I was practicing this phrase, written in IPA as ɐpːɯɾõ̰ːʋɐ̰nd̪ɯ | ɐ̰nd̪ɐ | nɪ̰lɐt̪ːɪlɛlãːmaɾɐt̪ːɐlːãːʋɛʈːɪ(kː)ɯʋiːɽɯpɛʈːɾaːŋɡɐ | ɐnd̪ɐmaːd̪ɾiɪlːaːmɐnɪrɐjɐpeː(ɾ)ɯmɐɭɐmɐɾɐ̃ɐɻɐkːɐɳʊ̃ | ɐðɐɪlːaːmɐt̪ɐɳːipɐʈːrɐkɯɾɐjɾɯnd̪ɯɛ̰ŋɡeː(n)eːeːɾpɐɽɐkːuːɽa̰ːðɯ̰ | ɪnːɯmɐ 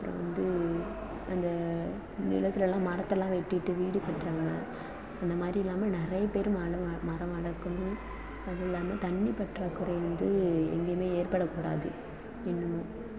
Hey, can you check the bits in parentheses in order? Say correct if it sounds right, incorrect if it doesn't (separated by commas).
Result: incorrect, correct, incorrect